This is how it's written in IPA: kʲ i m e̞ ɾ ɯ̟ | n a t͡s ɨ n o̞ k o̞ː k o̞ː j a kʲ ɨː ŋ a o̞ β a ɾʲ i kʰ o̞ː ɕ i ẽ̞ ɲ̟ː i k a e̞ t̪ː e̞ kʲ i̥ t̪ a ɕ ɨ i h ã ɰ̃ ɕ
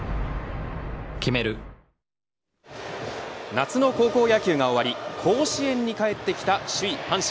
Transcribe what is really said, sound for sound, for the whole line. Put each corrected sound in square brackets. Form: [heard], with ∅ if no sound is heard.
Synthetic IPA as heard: kʲ i m e̞ ɾ ɯ̟ | n a t͡s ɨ n o̞ k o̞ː k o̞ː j a kʲ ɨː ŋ a o̞ β a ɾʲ i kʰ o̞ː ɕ i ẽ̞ ɲ̟ː i k a e̞ t̪ː e̞ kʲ i̥ t̪ a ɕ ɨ i h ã ɰ̃ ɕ

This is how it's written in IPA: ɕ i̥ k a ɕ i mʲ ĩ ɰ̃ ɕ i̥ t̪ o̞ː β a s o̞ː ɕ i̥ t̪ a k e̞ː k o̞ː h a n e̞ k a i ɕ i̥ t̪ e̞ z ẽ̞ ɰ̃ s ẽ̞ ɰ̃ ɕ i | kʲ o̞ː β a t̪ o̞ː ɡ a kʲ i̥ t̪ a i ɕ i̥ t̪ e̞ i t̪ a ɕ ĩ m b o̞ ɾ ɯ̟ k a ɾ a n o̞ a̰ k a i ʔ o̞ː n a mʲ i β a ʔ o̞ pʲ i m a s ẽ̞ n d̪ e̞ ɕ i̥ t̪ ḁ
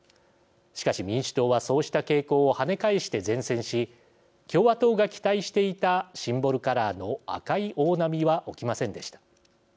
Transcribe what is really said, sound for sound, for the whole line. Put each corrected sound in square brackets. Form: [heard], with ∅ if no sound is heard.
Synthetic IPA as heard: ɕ i̥ k a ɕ i mʲ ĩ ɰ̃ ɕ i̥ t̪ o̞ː β a s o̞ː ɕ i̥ t̪ a k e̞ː k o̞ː h a n e̞ k a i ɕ i̥ t̪ e̞ z ẽ̞ ɰ̃ s ẽ̞ ɰ̃ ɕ i | kʲ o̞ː β a t̪ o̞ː ɡ a kʲ i̥ t̪ a i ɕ i̥ t̪ e̞ i t̪ a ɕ ĩ m b o̞ ɾ ɯ̟ k a ɾ a n o̞ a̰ k a i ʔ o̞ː n a mʲ i β a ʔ o̞ [kʲ] i m a s ẽ̞ n d̪ e̞ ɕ i̥ t̪ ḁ

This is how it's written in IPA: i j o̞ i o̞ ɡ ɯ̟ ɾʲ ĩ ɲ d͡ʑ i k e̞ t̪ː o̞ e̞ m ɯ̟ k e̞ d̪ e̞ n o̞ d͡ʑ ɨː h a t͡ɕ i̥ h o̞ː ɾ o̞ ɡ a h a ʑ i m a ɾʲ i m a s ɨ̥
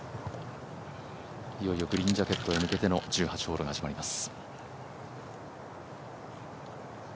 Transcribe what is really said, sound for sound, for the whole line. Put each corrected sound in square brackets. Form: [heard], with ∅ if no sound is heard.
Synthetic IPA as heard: i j o̞ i o̞ ɡ ɯ̟ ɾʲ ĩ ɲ d͡ʑ [a] k e̞ t̪ː o̞ e̞ m ɯ̟ k e̞ [t̪] e̞ n o̞ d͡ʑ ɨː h a t͡ɕ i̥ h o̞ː ɾ o̞ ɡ a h a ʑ i m a ɾʲ i m a s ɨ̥

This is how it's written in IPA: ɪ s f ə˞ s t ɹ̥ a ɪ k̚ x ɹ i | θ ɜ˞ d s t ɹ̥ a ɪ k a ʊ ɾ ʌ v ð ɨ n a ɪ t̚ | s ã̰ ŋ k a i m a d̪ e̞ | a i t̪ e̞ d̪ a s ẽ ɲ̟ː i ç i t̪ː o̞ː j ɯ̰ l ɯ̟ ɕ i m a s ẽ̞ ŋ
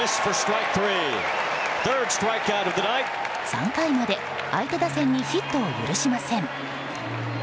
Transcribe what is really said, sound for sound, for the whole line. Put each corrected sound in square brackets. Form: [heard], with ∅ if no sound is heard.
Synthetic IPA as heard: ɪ s f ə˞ s t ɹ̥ a ɪ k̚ [θ] ɹ i | θ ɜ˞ d s t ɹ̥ a ɪ k a ʊ ɾ ʌ v ð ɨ n a ɪ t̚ | s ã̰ ŋ k a i m a d̪ e̞ | a i t̪ e̞ d̪ a s ẽ ɲ̟ː i ç i t̪ː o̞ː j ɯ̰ [ɾ] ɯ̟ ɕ i m a s ẽ̞ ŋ

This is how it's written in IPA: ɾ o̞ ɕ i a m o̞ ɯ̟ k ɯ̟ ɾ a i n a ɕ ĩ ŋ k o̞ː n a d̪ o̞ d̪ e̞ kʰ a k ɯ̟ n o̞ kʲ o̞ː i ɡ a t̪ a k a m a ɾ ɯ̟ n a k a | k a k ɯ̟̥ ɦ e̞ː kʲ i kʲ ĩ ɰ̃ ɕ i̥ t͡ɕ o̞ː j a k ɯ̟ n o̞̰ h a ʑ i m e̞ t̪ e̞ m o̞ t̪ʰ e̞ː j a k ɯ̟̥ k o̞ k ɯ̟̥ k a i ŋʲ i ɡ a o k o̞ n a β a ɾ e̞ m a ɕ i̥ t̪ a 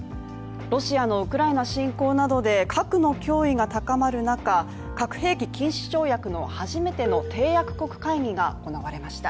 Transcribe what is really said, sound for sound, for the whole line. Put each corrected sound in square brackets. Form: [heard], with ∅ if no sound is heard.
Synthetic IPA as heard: ɾ o̞ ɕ i a [n] o̞ ɯ̟ k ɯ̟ ɾ a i n a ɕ ĩ ŋ k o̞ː n a d̪ o̞ d̪ e̞ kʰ a k ɯ̟ n o̞ kʲ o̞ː i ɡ a t̪ a k a m a ɾ ɯ̟ n a k a | k a k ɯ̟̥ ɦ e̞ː kʲ i kʲ ĩ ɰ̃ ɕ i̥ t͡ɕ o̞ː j a k ɯ̟ n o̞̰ h a ʑ i m e̞ t̪ e̞ [n] o̞ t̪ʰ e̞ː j a k ɯ̟̥ k o̞ k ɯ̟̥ k a i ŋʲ i ɡ a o k o̞ n a β a ɾ e̞ m a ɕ i̥ t̪ a

